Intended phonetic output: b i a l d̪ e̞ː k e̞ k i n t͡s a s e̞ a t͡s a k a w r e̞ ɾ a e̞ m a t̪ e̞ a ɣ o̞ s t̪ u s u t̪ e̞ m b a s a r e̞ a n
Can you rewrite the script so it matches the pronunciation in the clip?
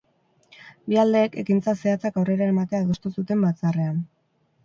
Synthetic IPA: b i a l d̪ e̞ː k e̞ k i n t͡s a s e̞ a t͡s a k a w r e̞ ɾ a e̞ m a t̪ e̞ a ð o̞ s t̪ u s u t̪ e̞ m b a t͡s a r e̞ a n